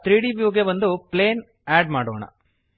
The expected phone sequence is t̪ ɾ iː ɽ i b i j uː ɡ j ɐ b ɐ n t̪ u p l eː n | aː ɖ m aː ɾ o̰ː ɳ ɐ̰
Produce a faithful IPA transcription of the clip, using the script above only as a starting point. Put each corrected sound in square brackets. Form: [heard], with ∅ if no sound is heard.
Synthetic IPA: t̪ ɾ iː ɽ i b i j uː ɡ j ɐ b ɐ n [d̪] u p l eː n | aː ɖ m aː [ɽ] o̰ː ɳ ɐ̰